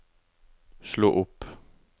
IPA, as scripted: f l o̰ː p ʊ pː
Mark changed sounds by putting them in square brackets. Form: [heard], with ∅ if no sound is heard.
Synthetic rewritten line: [s] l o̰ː [ʔ] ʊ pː